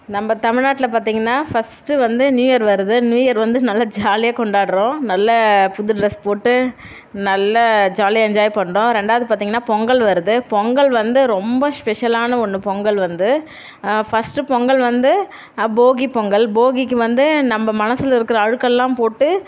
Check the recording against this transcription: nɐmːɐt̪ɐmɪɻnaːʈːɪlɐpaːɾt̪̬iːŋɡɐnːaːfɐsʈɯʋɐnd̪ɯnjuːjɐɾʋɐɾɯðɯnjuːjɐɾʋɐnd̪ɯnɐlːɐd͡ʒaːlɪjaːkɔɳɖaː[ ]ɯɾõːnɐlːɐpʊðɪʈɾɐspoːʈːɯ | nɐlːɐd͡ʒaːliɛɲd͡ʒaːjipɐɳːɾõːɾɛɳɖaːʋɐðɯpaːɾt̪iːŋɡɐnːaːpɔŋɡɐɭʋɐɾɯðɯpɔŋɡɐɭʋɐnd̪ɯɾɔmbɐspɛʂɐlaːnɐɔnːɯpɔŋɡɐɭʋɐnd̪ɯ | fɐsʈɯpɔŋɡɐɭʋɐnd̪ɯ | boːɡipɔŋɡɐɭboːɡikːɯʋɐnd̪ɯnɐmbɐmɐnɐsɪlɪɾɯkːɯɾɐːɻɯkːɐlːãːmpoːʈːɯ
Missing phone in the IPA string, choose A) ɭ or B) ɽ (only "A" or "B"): B